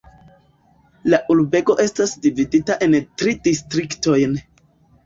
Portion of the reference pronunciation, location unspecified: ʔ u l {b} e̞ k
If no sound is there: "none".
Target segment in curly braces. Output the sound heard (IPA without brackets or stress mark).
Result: b